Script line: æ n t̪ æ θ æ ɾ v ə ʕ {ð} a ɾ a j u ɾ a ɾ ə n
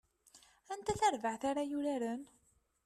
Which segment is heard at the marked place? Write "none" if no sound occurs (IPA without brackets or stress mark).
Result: θ